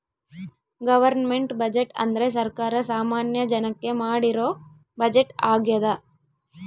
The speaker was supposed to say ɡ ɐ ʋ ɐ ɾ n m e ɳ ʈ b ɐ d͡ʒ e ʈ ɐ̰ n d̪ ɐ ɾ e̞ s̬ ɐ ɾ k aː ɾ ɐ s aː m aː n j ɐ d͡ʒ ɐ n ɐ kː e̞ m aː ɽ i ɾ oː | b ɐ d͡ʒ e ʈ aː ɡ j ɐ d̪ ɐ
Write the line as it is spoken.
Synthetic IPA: ɡ ɐ ʋ ɐ ɾ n m e ɳ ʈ b ɐ d͡ʒ e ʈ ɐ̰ n d̪ ɐ ɾ e̞ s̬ ɐ ɾ k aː ɾ ɐ s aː m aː n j ɐ d͡ʒ ɐ n ɐ kː e̞ m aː ɽ i ɾ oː | b ɐ d͡ʒ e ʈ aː ɡ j ɐ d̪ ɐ